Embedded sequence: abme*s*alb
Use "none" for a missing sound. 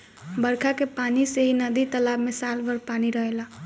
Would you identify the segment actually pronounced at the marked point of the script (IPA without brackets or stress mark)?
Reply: s